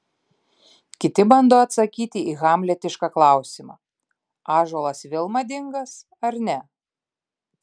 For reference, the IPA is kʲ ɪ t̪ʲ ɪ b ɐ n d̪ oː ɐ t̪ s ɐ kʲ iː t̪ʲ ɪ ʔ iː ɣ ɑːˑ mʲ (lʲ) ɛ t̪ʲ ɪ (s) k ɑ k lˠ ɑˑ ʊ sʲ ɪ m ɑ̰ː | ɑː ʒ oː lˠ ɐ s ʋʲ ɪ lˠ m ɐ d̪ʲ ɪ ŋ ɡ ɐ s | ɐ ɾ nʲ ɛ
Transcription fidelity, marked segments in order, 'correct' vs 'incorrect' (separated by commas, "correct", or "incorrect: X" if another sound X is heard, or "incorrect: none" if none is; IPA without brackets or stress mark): correct, incorrect: ʃ